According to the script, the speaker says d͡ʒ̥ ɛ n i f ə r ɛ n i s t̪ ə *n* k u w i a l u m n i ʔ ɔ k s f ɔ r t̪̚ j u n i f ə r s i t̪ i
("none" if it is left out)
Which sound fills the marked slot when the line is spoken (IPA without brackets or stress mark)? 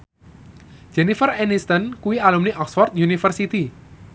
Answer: n